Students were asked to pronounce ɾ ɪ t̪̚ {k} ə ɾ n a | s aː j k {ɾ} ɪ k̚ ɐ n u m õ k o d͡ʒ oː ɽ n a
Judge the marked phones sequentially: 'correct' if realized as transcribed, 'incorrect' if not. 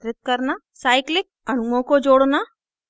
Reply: correct, incorrect

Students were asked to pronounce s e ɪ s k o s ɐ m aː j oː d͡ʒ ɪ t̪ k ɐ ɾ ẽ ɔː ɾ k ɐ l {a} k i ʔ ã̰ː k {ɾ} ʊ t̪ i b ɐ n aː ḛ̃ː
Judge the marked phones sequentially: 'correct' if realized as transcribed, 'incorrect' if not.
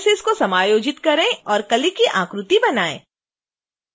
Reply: incorrect, correct

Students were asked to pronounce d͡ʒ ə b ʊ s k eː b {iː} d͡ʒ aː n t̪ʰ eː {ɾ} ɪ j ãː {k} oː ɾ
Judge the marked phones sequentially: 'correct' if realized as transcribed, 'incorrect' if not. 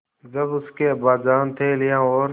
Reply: incorrect, incorrect, incorrect

